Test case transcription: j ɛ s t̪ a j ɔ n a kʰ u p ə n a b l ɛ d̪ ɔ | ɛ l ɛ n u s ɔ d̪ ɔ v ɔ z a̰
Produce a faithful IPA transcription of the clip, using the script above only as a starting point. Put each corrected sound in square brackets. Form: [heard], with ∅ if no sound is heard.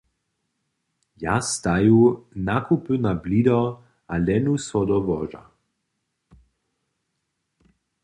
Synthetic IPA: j [a] s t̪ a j [u] n a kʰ u p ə n a b l [i] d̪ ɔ | [a] l ɛ n u s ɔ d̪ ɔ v ɔ [ʒ] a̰